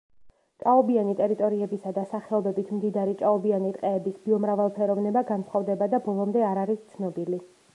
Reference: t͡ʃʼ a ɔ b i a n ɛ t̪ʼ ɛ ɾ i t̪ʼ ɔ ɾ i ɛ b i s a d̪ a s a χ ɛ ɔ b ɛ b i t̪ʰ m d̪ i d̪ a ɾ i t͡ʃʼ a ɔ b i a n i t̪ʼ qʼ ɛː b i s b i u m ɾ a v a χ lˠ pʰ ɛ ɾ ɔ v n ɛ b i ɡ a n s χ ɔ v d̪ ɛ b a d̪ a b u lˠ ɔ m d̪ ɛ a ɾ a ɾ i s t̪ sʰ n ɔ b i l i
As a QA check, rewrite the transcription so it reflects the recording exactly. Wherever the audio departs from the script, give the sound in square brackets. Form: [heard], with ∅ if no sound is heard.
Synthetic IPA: t͡ʃʼ a ɔ b i a n [i] t̪ʼ ɛ ɾ i t̪ʼ ɔ ɾ i ɛ b i s a d̪ a s a χ ɛ ɔ b ɛ b i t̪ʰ m d̪ i d̪ a ɾ i t͡ʃʼ a ɔ b i a n i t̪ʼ qʼ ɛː b i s b i [ɔ] m ɾ a v a [∅] lˠ pʰ ɛ ɾ ɔ v n ɛ b [a] ɡ a n s χ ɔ v d̪ ɛ b a d̪ a b [ɔ] lˠ ɔ m d̪ ɛ a ɾ a ɾ i s t̪ sʰ n ɔ b i l i